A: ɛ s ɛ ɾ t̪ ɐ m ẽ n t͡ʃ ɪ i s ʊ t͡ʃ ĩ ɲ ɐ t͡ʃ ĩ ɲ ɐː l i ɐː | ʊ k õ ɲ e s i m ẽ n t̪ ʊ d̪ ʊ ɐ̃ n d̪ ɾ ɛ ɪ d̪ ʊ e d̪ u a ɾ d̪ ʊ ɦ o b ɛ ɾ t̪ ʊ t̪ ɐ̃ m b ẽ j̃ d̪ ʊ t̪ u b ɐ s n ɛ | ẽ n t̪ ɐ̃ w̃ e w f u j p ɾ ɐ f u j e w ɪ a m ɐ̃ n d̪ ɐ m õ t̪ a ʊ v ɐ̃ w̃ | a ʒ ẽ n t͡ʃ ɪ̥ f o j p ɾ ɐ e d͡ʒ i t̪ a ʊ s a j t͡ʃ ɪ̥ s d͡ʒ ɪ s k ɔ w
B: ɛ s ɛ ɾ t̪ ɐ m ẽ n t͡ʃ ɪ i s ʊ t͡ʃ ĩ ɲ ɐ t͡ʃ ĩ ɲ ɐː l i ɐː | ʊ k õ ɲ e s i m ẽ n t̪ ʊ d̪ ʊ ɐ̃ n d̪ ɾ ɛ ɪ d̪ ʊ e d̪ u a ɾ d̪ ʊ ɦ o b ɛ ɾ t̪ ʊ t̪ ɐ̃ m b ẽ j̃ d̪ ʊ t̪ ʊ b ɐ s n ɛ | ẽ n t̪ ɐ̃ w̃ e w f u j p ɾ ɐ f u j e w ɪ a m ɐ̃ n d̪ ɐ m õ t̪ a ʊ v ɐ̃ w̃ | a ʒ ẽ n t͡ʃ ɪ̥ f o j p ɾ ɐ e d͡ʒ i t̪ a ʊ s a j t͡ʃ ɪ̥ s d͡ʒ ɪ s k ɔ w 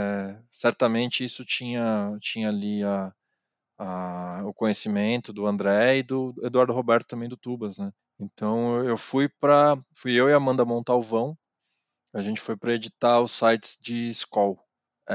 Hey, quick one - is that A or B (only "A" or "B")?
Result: A